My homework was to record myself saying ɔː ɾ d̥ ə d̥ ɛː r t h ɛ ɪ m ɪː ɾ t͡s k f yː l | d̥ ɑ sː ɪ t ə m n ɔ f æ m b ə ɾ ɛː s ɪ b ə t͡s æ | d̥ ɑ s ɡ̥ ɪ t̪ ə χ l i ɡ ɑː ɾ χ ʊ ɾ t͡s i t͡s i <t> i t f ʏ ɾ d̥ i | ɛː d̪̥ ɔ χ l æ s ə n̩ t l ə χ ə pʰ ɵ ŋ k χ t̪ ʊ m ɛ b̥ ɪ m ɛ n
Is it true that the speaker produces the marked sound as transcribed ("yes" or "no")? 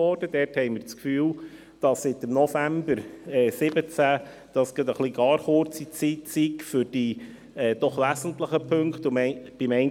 no